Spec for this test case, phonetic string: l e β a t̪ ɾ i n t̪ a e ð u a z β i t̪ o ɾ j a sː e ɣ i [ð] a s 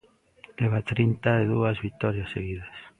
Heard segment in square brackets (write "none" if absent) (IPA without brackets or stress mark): ð